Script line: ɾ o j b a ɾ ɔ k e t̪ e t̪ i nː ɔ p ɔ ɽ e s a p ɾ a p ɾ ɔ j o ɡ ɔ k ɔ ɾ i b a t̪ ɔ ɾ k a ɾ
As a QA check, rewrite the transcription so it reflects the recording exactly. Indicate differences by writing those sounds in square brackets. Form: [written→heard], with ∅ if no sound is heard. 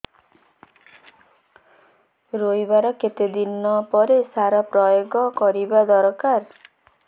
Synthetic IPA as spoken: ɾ o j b a ɾ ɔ k e t̪ e [t̪→d̪] i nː ɔ p ɔ [ɽ→ɾ] e s a [p→∅] ɾ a p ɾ ɔ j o ɡ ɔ k ɔ ɾ i b a [t̪→d̪] ɔ ɾ k a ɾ